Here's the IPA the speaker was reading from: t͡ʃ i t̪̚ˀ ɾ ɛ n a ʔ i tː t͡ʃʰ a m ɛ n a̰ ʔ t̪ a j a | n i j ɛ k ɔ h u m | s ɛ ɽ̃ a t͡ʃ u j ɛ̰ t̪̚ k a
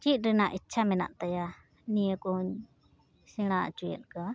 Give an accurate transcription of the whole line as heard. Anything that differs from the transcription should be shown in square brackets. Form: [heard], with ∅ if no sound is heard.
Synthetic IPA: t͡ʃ i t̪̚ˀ ɾ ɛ n a ʔ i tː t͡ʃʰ a m ɛ n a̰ ʔ t̪ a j a | n i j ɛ k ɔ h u [ɲ] | s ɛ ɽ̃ a t͡ʃ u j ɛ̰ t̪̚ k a